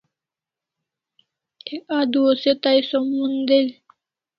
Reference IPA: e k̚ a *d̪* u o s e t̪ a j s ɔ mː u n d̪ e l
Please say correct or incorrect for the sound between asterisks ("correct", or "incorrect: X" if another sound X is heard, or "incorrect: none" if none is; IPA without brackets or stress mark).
correct